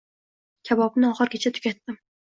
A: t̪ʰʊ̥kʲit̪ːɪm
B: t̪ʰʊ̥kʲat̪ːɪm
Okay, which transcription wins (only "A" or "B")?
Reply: B